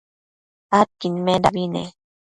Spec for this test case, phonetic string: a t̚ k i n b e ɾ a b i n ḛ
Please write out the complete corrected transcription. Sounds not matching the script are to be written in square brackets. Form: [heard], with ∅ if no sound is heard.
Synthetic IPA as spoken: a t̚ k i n [m] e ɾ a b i n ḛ

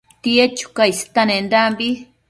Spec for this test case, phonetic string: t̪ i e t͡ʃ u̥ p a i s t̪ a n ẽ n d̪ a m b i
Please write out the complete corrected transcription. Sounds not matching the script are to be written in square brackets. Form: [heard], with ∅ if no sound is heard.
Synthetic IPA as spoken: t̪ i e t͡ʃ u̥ [k] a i s t̪ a n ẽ n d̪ a m b i

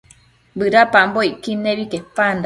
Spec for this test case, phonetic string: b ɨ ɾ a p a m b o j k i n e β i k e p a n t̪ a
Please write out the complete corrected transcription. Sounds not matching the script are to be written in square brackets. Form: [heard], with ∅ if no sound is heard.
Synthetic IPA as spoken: b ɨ ɾ a p a m b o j k i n e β i k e p a n [d̪] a

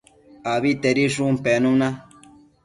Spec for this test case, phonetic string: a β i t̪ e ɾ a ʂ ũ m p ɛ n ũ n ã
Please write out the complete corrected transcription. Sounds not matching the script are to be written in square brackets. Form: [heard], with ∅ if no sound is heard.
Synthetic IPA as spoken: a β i t̪ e ɾ [i] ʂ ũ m p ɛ n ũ n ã

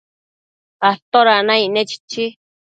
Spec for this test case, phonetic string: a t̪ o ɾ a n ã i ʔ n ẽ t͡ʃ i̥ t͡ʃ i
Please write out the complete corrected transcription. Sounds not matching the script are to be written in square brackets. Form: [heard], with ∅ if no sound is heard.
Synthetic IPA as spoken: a t̪ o ɾ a n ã i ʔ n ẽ t͡ʃ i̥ t͡ʃ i

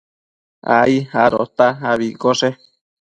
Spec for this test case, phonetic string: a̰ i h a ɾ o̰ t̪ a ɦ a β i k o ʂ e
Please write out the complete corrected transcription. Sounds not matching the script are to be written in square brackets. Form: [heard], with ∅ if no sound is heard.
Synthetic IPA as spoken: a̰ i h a ɾ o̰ t̪ a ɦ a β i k o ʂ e

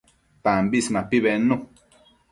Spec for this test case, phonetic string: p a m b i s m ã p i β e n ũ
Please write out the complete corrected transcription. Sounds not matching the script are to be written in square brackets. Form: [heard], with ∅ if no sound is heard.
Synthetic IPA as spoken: p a m b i s m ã p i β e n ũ

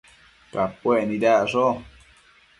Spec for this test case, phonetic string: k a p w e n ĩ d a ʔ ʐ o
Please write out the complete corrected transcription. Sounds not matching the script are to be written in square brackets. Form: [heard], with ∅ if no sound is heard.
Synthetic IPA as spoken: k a p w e n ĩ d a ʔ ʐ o

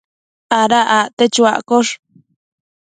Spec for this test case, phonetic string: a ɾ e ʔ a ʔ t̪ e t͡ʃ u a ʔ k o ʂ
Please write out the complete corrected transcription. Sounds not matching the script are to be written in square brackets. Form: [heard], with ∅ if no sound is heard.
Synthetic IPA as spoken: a ɾ [a] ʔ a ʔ t̪ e t͡ʃ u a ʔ k o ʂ

